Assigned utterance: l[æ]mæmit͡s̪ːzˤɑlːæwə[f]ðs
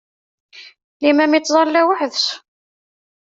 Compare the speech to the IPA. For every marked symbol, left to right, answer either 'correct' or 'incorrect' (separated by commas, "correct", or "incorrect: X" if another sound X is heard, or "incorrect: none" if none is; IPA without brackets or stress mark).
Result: incorrect: i, incorrect: ħ